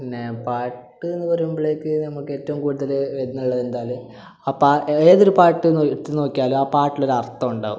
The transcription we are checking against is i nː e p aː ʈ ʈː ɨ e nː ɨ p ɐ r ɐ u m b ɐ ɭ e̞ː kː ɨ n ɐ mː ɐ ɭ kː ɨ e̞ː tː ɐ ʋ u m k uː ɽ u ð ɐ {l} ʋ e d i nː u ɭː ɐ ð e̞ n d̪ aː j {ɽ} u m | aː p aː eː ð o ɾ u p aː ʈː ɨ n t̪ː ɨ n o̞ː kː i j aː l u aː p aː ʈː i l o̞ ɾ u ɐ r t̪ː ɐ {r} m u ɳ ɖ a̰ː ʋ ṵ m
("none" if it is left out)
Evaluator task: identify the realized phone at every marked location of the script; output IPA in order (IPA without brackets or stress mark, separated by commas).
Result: l, l, none